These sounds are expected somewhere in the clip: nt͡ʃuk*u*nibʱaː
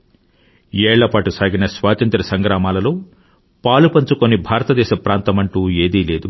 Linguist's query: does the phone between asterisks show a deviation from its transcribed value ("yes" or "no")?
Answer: yes